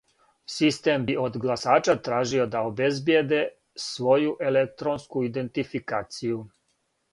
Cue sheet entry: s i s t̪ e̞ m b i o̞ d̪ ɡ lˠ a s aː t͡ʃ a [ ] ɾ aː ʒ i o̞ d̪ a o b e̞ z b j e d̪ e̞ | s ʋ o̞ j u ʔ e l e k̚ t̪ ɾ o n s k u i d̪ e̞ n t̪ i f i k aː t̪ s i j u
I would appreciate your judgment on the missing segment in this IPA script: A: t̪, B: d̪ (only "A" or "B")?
A